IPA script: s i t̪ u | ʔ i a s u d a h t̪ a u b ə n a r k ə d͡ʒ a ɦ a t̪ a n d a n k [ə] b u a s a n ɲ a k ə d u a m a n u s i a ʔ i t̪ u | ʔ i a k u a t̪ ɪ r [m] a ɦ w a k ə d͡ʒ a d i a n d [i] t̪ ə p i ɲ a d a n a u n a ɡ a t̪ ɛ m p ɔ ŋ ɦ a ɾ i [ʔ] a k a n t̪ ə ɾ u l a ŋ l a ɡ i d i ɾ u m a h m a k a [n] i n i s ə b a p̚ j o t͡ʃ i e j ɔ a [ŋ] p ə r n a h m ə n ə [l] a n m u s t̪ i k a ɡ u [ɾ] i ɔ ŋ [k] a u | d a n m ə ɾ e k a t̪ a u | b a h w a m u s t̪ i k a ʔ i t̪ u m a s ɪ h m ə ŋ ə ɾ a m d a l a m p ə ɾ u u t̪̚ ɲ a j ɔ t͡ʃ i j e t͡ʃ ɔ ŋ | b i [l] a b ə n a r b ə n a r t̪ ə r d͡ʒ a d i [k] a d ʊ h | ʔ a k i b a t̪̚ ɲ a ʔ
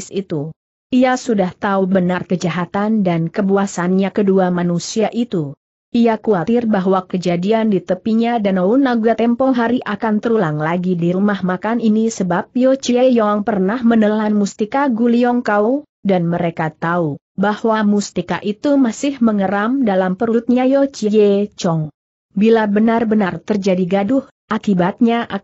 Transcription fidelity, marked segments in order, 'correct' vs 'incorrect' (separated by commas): correct, incorrect, correct, correct, correct, correct, correct, incorrect, correct, correct, incorrect